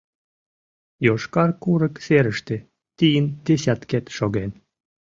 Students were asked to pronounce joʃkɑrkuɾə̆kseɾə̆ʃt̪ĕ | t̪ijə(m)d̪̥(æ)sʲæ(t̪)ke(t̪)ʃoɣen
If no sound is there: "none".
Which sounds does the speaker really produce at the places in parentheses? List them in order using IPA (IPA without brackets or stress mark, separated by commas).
n, e, t̪, t̪